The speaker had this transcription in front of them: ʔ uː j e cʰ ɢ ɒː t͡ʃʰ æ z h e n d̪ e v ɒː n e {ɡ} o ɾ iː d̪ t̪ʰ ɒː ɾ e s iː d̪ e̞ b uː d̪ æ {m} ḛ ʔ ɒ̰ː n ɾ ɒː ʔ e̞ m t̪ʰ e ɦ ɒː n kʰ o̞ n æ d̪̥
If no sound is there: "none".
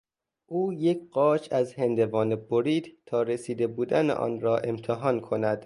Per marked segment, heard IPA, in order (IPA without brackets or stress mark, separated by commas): b, n